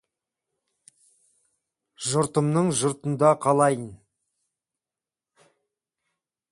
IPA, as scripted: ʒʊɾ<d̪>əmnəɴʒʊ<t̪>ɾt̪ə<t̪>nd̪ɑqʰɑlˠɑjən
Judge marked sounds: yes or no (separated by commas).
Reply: no, no, no